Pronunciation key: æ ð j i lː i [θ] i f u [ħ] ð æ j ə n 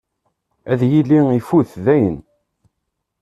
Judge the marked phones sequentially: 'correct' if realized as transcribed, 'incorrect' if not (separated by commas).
incorrect, incorrect